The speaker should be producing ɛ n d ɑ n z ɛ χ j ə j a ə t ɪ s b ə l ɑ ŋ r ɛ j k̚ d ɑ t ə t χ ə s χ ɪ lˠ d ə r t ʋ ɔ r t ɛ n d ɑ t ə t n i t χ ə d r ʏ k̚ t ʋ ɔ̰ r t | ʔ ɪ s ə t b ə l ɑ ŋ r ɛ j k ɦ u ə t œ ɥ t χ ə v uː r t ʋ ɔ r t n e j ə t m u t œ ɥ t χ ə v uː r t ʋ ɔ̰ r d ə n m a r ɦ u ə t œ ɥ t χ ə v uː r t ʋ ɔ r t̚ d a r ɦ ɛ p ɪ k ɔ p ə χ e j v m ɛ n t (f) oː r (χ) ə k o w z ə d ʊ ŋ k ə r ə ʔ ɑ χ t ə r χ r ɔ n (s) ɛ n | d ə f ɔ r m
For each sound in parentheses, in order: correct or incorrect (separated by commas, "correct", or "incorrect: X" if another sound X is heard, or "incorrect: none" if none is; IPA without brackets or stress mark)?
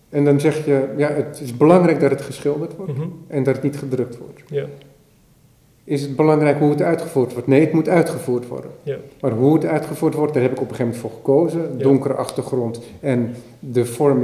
correct, correct, incorrect: t